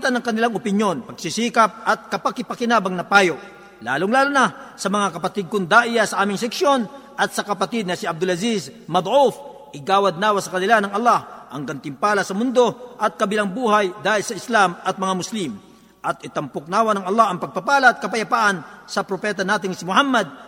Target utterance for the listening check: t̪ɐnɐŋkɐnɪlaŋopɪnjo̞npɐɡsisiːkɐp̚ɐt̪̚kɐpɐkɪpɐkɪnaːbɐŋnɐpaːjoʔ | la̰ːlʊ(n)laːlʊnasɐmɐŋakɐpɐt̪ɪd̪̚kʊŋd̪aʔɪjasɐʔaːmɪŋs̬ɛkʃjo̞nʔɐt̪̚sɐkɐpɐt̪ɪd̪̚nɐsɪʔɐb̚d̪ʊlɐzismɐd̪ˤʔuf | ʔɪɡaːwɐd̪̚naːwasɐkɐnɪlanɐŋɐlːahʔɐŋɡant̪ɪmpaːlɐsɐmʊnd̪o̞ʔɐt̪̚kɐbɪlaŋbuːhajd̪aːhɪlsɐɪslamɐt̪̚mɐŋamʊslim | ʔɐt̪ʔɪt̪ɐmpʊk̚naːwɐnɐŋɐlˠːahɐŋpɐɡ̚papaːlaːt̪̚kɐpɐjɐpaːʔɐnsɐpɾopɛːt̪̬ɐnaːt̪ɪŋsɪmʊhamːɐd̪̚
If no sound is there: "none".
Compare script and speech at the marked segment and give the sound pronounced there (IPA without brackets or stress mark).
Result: ŋ